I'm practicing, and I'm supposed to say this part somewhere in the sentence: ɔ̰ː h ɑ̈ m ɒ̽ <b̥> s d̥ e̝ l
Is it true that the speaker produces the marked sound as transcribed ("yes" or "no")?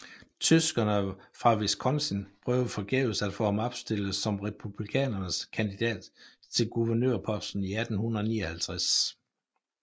yes